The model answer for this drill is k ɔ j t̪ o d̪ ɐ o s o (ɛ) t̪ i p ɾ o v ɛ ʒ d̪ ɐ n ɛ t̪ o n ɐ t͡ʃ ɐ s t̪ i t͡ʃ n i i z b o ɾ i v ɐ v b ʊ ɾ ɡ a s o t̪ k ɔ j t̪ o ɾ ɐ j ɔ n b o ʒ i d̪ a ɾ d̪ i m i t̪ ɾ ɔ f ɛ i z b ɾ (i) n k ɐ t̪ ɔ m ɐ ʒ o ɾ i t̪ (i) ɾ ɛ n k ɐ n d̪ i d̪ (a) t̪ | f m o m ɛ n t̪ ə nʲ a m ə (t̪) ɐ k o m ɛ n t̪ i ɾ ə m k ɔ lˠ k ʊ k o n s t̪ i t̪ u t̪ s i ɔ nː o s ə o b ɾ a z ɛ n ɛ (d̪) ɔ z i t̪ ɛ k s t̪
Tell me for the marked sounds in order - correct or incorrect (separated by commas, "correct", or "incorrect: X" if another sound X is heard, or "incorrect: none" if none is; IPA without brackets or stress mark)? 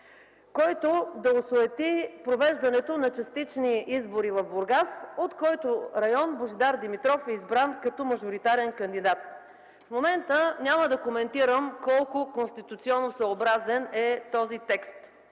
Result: correct, incorrect: a, incorrect: a, correct, incorrect: d̪, incorrect: t̪